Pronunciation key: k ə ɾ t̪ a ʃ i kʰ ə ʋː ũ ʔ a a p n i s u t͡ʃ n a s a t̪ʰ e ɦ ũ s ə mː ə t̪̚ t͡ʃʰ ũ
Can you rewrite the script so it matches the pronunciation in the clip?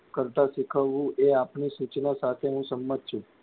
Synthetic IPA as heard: k ə ɾ t̪ a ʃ i kʰ ə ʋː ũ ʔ e a p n i s u t͡ʃ n a s a t̪ʰ e ɦ ũ s ə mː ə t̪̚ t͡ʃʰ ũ